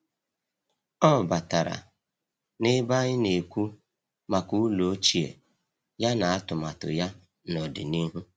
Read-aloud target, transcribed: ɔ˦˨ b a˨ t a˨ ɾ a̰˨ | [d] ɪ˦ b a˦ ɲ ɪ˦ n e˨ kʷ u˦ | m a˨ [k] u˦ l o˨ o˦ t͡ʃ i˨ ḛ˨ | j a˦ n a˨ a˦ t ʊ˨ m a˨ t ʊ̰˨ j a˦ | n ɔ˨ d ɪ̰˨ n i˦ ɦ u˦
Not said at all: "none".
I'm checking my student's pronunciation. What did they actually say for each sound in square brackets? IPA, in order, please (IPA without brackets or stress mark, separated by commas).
n, k